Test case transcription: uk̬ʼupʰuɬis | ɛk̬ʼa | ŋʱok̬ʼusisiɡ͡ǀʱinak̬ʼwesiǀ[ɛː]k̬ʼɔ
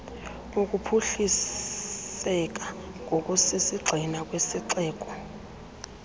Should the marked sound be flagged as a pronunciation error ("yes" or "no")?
no